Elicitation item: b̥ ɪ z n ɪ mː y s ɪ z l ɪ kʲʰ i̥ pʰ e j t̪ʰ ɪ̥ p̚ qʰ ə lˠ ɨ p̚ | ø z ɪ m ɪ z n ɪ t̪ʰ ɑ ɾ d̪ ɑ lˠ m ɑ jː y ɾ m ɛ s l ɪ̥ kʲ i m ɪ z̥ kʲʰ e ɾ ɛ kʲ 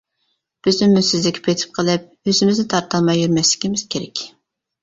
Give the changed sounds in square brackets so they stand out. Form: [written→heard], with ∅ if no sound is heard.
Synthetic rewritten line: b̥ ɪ z n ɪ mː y s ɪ z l ɪ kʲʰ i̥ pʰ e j t̪ʰ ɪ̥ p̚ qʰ ə lˠ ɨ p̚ | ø z ɪ m ɪ z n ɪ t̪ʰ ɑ ɾ [d̪→t̪] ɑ lˠ m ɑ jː y ɾ m ɛ s l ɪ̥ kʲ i m ɪ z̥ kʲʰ e ɾ ɛ kʲ